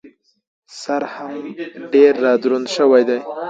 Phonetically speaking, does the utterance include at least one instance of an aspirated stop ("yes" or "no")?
no